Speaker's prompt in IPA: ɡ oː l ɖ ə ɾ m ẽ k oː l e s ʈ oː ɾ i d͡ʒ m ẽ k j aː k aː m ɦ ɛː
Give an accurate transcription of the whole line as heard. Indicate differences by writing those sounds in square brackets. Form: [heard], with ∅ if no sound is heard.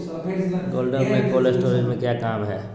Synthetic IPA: ɡ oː l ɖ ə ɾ m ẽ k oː l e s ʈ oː ɾ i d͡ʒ m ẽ k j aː k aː m ɦ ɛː